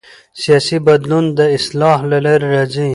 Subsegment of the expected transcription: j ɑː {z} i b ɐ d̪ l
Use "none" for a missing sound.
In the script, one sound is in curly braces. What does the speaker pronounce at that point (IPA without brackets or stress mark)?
s